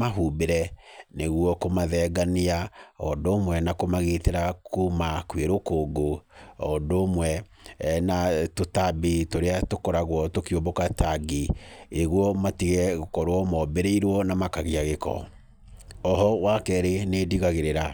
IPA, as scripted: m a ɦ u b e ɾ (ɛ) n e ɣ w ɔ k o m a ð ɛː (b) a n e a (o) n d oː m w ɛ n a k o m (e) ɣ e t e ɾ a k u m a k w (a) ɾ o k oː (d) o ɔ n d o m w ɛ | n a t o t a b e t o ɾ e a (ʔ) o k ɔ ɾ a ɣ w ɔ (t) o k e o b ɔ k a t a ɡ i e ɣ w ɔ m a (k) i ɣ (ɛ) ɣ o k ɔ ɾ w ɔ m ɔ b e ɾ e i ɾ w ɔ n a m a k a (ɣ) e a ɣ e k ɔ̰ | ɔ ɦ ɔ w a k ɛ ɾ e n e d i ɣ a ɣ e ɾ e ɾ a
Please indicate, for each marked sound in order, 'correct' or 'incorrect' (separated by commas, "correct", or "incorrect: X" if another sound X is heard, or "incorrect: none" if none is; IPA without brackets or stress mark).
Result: correct, incorrect: ɡ, incorrect: ɔ, incorrect: a, incorrect: e, incorrect: ɡ, incorrect: t, correct, incorrect: t, correct, correct